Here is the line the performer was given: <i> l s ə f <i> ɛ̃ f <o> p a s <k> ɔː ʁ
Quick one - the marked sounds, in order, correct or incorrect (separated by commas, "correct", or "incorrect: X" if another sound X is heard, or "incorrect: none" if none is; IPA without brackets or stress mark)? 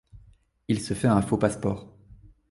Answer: correct, incorrect: ɛ, correct, incorrect: p